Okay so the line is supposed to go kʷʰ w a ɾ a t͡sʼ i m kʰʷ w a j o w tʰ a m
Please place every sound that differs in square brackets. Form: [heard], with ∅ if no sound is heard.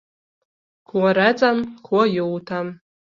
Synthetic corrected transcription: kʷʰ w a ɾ a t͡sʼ [a] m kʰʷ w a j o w tʰ a m